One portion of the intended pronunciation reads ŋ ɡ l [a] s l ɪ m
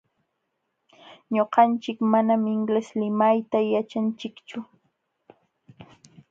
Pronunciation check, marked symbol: incorrect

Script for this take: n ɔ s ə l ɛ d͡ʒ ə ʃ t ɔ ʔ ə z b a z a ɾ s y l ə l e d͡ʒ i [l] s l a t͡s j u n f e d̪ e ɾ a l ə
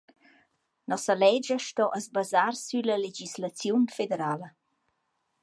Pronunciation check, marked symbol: incorrect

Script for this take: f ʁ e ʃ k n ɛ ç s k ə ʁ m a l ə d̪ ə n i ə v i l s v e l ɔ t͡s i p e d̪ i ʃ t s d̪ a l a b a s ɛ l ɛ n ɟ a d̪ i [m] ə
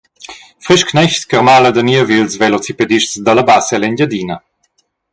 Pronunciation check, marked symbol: incorrect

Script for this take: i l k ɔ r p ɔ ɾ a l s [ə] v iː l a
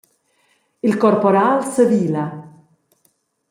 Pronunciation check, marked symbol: correct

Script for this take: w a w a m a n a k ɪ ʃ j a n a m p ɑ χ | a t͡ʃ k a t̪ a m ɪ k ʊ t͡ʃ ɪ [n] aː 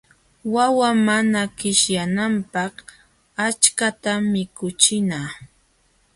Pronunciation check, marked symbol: correct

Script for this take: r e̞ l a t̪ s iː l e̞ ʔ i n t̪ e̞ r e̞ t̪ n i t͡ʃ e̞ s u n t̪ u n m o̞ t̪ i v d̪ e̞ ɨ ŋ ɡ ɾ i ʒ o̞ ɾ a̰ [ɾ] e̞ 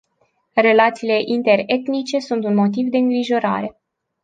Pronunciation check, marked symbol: correct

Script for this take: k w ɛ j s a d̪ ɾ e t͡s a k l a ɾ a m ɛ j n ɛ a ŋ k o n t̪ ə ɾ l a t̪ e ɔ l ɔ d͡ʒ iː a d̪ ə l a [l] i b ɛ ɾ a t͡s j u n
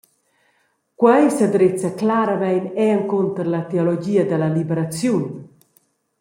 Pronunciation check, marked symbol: correct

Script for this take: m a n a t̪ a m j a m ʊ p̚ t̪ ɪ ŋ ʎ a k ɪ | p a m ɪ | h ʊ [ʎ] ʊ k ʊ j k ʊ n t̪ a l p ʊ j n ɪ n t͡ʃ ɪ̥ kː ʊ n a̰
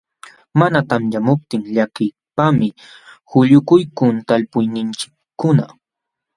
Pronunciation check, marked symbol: correct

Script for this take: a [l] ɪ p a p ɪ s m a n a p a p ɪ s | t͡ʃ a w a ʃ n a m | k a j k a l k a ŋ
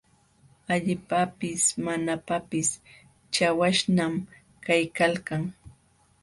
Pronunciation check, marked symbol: incorrect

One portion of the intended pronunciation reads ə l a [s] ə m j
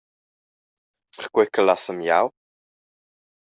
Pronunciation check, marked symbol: correct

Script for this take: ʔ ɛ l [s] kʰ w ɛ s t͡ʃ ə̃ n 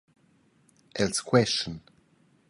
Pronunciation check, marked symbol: correct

